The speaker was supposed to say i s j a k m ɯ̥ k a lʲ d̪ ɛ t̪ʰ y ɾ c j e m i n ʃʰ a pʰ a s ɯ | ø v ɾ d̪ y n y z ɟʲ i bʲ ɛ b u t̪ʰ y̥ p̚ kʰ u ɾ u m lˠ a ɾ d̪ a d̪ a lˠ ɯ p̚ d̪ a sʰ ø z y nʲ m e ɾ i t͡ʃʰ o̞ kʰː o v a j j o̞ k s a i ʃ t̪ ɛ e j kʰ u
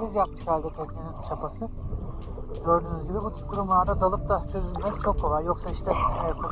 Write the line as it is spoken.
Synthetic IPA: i z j a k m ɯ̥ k a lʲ d̪ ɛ t̪ʰ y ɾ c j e n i n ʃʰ a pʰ a s ɯ | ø ɾ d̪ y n y z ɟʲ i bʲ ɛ b u t̪ʰ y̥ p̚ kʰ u ɾ u m lˠ a ɾ d̪ a d̪ a lˠ ɯ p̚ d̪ a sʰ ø z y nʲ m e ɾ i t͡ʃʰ o̞ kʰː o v a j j o̞ k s a i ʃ t̪ ɛ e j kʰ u